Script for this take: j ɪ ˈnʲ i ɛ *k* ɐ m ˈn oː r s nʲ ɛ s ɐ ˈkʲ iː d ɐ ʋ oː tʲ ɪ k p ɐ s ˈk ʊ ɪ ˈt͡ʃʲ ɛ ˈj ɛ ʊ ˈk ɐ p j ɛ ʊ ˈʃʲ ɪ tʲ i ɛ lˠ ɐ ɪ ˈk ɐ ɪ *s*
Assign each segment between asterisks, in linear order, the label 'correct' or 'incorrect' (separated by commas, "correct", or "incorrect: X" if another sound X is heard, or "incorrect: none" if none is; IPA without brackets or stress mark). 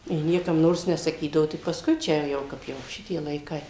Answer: correct, incorrect: none